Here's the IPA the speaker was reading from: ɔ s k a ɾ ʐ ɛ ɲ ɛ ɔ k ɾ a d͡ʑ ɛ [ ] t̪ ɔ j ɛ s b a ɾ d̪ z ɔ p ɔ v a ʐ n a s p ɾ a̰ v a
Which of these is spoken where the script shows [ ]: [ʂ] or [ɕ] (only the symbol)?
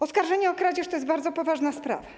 ʂ